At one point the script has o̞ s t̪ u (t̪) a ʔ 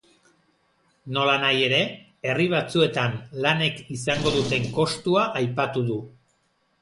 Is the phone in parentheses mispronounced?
yes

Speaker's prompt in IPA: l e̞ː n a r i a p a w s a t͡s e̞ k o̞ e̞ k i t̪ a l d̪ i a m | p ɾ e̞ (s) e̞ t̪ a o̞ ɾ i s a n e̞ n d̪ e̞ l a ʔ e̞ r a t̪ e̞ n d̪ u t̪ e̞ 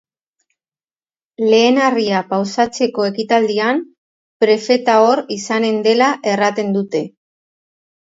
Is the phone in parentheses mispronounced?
yes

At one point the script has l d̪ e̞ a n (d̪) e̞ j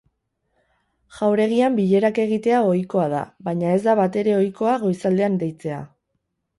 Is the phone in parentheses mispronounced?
no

